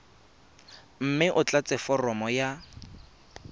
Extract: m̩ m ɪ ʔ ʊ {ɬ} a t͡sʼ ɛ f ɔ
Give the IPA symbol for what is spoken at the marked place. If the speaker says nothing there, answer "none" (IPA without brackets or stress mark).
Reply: t͡ɬ